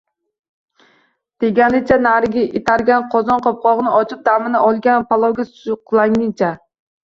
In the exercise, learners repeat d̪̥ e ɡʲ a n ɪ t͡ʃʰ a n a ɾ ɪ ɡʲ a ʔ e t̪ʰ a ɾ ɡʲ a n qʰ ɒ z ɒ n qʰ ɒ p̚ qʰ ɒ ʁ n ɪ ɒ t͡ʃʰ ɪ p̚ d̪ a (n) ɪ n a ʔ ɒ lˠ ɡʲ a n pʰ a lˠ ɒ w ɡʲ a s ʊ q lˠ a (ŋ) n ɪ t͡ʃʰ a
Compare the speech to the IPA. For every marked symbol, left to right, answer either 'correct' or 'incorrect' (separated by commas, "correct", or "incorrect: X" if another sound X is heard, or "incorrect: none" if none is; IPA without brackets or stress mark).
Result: incorrect: m, correct